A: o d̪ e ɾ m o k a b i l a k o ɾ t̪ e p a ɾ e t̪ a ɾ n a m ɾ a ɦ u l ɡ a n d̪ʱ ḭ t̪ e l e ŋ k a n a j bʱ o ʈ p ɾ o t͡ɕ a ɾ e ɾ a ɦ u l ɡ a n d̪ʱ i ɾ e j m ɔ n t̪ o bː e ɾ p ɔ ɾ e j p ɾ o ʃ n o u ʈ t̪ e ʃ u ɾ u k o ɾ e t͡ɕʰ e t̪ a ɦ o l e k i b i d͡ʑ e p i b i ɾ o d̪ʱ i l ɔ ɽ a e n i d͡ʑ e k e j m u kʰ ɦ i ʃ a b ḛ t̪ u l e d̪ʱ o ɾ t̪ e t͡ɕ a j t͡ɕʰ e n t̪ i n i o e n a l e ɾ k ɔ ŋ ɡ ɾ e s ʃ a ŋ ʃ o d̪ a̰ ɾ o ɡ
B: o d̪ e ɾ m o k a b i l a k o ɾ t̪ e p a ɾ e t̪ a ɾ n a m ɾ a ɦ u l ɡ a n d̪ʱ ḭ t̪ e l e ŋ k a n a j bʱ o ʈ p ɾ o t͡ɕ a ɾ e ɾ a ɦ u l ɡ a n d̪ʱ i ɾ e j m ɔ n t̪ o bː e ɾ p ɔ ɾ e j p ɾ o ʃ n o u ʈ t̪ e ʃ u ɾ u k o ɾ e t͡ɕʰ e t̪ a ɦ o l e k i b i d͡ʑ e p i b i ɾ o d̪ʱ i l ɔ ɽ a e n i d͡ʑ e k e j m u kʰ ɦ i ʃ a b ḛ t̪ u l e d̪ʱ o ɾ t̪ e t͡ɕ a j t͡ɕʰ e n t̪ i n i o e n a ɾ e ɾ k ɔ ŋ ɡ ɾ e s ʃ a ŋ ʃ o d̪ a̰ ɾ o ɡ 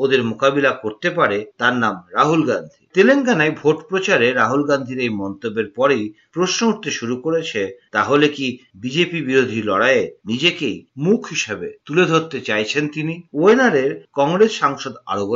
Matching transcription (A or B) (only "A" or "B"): B